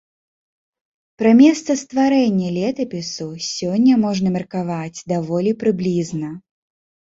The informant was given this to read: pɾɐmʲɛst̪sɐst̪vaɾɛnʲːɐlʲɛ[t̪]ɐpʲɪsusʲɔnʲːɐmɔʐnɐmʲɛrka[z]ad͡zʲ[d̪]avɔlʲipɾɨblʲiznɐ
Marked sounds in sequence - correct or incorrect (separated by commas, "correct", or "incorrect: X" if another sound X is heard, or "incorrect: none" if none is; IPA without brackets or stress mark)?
correct, incorrect: v, correct